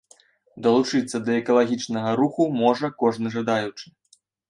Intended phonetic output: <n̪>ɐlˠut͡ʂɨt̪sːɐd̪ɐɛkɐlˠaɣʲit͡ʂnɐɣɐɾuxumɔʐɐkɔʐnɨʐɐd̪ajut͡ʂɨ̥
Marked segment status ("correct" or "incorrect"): incorrect